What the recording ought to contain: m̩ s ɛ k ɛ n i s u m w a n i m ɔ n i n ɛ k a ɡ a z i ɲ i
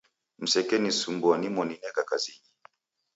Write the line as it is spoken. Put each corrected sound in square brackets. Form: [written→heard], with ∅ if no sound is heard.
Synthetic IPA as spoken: m̩ s ɛ k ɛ n i s u m [w→b] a n i m ɔ n i n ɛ k a [ɡ→k] a z i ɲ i